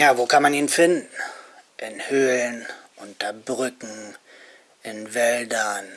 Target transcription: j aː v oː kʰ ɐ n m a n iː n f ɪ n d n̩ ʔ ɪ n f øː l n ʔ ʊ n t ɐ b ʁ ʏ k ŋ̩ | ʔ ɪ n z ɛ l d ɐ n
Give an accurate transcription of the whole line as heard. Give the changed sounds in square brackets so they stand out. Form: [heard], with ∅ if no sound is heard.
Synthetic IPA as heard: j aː v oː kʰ [a] n m a n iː n f ɪ n d n̩ ʔ ɪ n [h] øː l n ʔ ʊ n t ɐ b ʁ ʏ k ŋ̩ | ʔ ɪ n [v] ɛ l d ɐ n